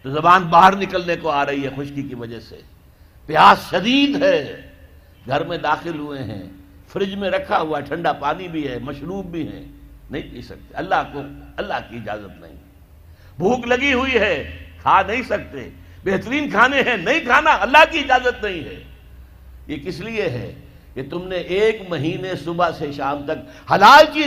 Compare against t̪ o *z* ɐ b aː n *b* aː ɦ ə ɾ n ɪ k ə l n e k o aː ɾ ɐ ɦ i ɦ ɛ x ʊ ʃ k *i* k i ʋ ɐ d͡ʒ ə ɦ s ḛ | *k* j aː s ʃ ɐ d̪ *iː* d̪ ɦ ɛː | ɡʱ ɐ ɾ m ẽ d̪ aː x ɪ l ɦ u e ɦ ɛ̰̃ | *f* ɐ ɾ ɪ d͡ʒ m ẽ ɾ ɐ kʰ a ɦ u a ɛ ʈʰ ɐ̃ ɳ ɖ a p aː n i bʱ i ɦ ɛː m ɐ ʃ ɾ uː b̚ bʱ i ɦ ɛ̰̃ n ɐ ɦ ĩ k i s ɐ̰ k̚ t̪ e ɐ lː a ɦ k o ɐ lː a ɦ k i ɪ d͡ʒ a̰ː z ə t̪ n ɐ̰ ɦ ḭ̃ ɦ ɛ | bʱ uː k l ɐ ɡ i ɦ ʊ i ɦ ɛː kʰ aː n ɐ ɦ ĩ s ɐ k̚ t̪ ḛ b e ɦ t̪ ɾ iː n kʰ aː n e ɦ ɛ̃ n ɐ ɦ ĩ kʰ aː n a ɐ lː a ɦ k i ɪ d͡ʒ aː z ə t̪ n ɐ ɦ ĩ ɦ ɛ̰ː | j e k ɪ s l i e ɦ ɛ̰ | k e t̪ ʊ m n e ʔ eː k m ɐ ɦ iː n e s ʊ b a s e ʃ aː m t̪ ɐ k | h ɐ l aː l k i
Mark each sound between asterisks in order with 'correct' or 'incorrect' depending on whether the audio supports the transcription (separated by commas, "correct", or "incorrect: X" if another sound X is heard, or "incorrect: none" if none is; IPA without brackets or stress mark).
correct, correct, correct, incorrect: p, correct, correct